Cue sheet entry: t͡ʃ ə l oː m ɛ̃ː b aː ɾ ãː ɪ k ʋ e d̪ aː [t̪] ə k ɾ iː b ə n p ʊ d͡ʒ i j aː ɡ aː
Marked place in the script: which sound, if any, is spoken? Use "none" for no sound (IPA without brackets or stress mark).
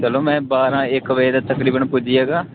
t̪